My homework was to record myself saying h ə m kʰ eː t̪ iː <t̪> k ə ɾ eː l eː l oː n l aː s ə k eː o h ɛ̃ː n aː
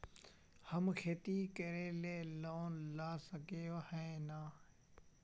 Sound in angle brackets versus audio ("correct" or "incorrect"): incorrect